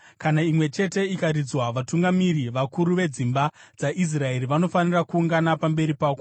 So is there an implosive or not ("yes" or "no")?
no